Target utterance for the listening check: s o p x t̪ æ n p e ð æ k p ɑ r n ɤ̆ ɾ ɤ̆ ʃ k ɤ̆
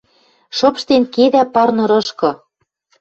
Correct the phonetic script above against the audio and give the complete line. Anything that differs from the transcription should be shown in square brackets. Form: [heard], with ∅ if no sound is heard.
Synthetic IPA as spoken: [ʃ] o p [ʃ] t̪ [e] n [k] e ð æ [∅] p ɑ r n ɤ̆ ɾ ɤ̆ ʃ k ɤ̆